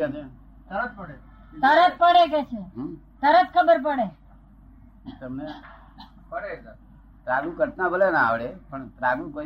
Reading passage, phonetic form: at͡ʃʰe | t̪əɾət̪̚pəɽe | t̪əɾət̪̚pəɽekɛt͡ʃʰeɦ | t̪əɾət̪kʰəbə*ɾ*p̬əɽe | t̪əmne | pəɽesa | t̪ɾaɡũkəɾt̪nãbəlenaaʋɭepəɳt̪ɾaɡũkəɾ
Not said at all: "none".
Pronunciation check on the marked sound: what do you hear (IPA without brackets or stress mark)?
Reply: ɾ